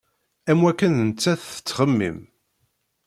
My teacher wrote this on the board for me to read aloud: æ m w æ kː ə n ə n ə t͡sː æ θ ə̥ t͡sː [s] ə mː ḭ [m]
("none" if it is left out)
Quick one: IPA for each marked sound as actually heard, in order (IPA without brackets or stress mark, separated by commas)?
χ, m